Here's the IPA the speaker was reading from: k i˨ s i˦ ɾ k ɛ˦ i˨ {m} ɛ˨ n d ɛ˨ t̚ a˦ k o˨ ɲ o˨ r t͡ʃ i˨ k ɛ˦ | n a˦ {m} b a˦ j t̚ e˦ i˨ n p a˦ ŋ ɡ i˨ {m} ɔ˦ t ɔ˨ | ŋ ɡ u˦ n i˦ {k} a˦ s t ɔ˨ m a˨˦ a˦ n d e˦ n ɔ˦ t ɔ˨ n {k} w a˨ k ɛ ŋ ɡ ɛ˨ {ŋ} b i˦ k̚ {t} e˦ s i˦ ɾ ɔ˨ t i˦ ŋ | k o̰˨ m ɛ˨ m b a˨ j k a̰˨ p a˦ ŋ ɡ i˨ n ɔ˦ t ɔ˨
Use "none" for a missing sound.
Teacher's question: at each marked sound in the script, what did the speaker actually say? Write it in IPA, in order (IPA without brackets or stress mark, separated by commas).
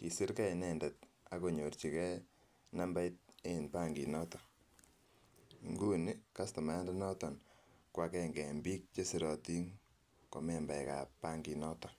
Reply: n, m, n, k, k, m, t͡ʃ